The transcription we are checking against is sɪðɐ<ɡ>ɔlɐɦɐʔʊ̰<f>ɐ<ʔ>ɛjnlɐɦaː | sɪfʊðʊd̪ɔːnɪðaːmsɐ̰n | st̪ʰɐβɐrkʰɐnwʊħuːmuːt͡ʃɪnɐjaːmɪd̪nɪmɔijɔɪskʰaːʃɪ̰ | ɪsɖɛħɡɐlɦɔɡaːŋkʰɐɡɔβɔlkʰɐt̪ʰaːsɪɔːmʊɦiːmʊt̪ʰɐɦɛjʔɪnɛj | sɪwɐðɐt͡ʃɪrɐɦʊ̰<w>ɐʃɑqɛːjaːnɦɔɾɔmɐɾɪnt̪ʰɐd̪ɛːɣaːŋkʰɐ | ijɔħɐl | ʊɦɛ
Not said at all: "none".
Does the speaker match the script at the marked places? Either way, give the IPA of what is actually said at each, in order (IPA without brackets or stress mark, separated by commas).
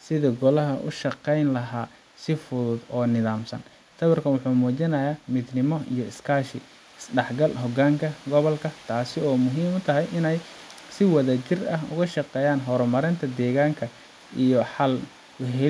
ɡ, ʃ, q, ɣ